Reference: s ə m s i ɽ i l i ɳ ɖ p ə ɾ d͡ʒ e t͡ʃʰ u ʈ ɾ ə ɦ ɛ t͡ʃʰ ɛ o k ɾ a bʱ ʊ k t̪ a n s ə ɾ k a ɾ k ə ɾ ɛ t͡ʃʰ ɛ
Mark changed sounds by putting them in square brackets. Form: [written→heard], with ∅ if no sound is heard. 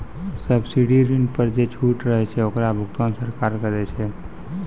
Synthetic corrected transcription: s ə [m→b] s i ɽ i [l→ɾ] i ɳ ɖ p ə ɾ d͡ʒ e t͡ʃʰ u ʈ ɾ ə ɦ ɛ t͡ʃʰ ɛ o k ɾ a bʱ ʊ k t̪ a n s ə ɾ k a ɾ k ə ɾ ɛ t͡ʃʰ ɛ

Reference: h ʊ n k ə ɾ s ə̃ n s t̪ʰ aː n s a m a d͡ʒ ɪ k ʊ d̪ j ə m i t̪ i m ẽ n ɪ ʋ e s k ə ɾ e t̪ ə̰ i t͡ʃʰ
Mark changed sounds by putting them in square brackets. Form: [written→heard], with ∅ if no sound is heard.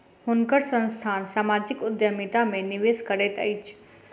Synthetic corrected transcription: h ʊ n k ə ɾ s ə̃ n s t̪ʰ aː n s a m a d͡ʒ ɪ k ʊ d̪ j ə m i t̪ [i→a] m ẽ n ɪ ʋ e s k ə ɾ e t̪ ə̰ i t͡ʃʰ

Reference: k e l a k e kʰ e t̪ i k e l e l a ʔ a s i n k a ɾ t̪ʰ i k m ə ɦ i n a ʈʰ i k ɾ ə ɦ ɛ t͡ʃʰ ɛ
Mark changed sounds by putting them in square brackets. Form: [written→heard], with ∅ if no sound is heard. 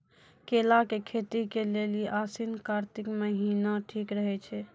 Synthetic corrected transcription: k e l a k e kʰ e t̪ i k e l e l [a→i] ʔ a s i n k a ɾ [t̪ʰ→t̪] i k m ə ɦ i n a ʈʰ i k ɾ ə ɦ ɛ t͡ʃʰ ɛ

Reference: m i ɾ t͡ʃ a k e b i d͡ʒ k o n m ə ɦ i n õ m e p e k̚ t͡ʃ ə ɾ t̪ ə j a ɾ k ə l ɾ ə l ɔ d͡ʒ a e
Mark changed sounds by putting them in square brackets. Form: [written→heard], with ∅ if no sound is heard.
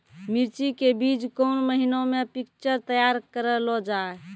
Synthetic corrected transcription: m i ɾ t͡ʃ [a→i] k e b i d͡ʒ k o n m ə ɦ i n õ m e p [e→i] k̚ t͡ʃ ə ɾ t̪ ə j a ɾ k ə [l→∅] ɾ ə l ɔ d͡ʒ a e

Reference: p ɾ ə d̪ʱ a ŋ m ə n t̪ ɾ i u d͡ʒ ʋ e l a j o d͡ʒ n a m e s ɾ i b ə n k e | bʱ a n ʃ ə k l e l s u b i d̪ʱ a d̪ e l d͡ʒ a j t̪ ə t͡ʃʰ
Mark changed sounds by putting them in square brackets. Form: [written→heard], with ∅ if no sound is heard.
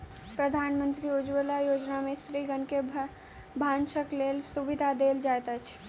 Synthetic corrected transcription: p ɾ ə d̪ʱ a [ŋ→n] m ə n t̪ ɾ i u d͡ʒ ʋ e l a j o d͡ʒ n a m e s ɾ i [b→ɡ] ə n k e | bʱ a n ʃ ə k l e l s u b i d̪ʱ a d̪ e l d͡ʒ a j t̪ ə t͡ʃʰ

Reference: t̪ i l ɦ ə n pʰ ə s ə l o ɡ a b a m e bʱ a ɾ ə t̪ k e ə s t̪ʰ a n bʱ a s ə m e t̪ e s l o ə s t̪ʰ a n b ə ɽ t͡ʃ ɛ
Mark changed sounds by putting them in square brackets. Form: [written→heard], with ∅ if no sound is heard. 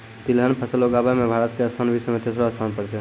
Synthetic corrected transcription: t̪ i l ɦ ə n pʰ ə s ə l o ɡ a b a m e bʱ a ɾ ə t̪ k e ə s t̪ʰ a n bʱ [a→i] s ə m e t̪ e s [l→ɾ] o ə s t̪ʰ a n [b→p] ə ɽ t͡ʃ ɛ

